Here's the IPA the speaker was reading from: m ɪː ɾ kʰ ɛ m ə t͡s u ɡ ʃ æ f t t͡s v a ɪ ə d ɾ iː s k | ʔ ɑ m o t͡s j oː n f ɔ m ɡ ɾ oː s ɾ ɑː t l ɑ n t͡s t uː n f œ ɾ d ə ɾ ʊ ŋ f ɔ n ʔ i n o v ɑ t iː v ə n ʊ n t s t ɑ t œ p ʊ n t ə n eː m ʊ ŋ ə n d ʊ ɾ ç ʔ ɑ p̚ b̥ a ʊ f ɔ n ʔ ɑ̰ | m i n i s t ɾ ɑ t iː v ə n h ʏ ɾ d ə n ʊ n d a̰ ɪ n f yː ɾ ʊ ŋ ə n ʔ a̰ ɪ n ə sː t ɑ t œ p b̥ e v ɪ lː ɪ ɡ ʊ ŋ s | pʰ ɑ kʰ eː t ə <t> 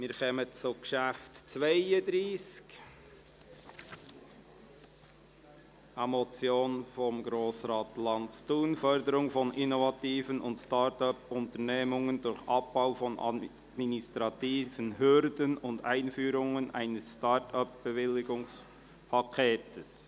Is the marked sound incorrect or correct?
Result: incorrect